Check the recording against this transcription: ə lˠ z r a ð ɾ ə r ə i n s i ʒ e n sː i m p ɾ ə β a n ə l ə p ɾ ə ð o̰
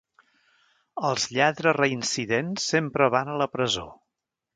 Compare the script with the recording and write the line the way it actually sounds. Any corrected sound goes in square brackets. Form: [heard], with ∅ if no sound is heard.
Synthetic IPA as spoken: ə lˠ z [ʎ] a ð ɾ ə r ə i n s i [ð] e n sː [e] m p ɾ ə β a n ə l ə p ɾ ə [z] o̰

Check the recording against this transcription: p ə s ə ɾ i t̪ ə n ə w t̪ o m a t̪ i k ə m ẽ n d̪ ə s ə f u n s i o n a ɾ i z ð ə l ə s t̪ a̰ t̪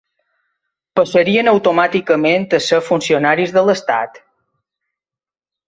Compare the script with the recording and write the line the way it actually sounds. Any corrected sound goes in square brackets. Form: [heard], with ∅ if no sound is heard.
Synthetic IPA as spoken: p ə s ə ɾ i [∅] ə n ə w t̪ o m a t̪ i k ə m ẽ n [t̪] ə s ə f u n s i o n a ɾ i z ð ə l ə s t̪ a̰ t̪

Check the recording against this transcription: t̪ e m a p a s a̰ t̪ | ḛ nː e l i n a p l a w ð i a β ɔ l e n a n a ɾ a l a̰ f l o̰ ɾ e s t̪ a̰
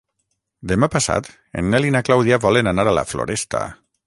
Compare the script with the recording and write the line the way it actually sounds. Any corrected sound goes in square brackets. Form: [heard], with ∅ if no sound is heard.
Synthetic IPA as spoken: [d̪] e m a p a s a̰ t̪ | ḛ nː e l i n a [k] l a w ð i a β ɔ l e n a n a ɾ a l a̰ f l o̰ ɾ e s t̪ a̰

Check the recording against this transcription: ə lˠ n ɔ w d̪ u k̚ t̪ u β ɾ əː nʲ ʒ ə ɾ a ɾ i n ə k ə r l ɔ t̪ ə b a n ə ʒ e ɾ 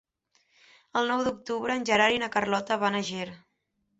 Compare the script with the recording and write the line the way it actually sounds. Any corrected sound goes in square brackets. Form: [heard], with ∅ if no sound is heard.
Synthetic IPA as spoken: ə lˠ n ɔ w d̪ u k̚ t̪ u β ɾ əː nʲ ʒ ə ɾ a ɾ i n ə k ə r l ɔ t̪ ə [β] a n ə ʒ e ɾ

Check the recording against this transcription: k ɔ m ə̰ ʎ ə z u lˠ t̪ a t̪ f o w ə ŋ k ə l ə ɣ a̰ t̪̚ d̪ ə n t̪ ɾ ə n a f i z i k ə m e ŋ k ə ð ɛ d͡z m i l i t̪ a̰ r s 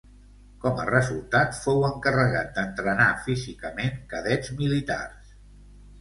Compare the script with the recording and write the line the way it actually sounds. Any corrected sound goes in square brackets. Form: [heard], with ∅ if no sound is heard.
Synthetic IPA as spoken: k ɔ m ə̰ [r] ə z u lˠ t̪ a t̪ f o w ə ŋ k ə [r] ə ɣ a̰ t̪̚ d̪ ə n t̪ ɾ ə n a f i z i k ə m e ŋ k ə ð ɛ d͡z m i l i t̪ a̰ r s

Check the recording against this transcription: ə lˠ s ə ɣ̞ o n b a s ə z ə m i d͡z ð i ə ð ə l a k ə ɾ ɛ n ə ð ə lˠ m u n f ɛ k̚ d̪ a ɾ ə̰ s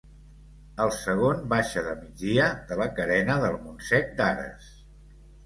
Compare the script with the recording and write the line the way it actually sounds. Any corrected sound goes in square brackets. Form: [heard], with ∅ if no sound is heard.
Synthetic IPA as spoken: ə lˠ s ə ɣ̞ o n b a [ʃ] ə [ð] ə m i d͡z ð i ə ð ə l [ə] k ə ɾ ɛ n ə ð ə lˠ m u n [s] ɛ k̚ d̪ a ɾ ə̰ s

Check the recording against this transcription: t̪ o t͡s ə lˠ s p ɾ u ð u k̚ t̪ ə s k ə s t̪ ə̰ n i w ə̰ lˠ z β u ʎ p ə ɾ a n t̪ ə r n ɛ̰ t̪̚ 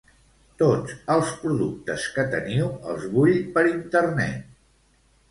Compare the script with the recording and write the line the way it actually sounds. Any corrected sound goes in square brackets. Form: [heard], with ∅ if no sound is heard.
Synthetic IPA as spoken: t̪ o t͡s ə lˠ s p ɾ u ð u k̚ t̪ ə s k ə [∅] t̪ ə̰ n i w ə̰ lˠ z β u ʎ p ə ɾ [i] n t̪ ə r n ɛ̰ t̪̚

